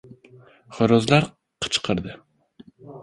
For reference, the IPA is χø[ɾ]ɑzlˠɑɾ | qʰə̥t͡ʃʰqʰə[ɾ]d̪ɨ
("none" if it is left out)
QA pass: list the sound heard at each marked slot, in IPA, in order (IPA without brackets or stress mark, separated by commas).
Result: ɾ, ɾ